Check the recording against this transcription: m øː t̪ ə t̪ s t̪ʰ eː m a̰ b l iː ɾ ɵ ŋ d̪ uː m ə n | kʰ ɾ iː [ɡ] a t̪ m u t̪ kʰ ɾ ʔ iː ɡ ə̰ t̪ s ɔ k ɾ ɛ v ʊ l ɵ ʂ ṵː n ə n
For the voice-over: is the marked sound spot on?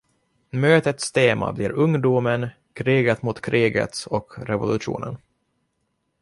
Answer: yes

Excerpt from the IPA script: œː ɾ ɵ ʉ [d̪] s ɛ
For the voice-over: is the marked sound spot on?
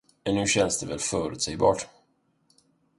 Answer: no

